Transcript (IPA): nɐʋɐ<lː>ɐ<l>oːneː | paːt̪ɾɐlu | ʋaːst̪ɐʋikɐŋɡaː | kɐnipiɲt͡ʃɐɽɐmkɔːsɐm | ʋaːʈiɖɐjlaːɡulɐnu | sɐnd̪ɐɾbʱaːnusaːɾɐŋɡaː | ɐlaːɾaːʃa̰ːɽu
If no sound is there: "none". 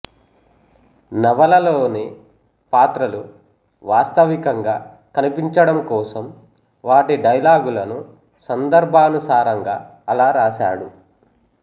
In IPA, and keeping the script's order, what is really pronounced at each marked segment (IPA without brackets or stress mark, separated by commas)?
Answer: l, l